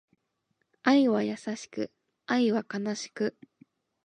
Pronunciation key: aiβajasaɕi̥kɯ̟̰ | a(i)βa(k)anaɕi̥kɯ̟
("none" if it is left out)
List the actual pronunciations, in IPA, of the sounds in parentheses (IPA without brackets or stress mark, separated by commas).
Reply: i, k